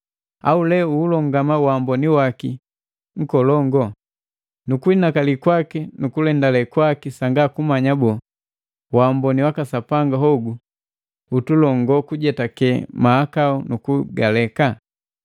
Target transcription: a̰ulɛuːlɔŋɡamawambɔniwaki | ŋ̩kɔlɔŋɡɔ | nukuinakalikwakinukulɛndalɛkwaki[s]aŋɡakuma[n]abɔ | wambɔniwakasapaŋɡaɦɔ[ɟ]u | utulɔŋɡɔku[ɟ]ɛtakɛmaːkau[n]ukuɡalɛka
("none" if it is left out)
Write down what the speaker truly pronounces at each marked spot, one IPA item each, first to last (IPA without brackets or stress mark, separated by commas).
s, ɲ, ɡ, ɟ, n